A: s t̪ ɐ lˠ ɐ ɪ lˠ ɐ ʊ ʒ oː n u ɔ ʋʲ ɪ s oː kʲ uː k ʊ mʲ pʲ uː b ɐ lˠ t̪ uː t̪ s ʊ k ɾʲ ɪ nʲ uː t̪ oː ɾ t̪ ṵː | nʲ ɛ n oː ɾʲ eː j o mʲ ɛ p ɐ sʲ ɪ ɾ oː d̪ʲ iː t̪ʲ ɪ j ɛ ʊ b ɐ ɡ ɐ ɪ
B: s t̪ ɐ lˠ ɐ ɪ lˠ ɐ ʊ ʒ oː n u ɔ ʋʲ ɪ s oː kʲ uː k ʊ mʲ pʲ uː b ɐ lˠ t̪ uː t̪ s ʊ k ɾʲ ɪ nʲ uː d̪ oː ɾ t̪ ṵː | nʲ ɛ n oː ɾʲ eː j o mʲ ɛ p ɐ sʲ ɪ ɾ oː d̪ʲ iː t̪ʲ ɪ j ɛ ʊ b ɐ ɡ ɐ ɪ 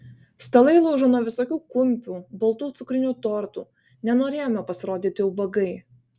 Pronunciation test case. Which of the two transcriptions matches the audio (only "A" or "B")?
A